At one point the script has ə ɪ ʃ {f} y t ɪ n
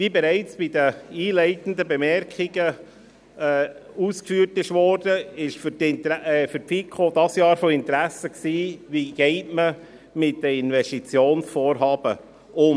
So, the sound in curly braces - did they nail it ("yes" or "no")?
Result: yes